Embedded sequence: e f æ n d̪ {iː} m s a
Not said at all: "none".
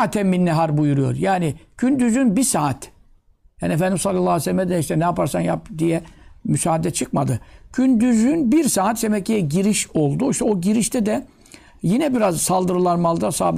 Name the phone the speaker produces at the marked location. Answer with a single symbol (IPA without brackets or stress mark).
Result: i